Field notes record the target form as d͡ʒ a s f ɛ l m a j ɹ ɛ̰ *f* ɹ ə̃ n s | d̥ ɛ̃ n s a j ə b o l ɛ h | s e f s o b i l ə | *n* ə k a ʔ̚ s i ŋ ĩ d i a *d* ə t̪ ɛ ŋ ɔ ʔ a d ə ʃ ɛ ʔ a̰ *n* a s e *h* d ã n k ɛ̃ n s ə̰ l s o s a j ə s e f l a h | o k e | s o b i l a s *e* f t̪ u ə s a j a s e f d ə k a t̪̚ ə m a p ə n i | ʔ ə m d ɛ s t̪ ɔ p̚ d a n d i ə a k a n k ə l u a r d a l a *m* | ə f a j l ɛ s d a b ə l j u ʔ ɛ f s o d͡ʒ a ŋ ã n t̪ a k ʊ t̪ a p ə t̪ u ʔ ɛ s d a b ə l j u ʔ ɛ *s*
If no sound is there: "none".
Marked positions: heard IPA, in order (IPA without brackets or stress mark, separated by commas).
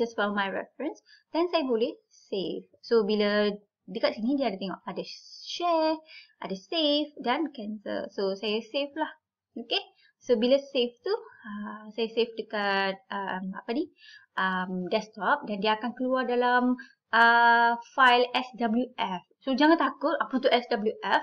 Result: f, d, d, d, f, e, m, f